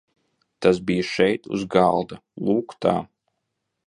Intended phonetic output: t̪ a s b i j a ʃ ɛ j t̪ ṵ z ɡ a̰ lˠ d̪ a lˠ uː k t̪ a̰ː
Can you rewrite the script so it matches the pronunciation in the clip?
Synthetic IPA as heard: t̪ a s b i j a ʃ ɛ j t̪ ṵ z ɡ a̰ lˠ d̪ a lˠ uː k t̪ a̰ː